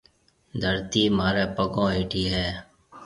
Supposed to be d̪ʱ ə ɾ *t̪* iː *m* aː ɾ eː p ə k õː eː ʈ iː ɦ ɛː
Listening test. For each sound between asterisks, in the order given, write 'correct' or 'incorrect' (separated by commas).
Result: correct, correct